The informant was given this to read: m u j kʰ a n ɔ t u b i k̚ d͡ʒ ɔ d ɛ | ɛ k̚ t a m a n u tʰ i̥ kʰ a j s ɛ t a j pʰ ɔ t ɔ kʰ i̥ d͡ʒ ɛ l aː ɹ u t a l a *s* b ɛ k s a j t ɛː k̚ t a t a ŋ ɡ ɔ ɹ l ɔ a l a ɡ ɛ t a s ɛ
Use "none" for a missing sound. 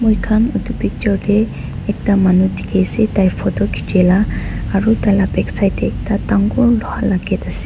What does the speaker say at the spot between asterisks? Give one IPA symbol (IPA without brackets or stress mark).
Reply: none